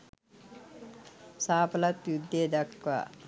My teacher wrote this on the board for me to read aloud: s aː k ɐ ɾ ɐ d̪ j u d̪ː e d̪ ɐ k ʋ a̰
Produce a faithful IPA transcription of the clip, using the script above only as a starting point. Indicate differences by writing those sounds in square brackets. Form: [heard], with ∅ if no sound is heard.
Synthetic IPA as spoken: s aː [p] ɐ [l] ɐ [t̪] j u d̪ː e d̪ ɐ k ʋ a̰